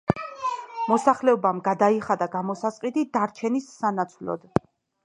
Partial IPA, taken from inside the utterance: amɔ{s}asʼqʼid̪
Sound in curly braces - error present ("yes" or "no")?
no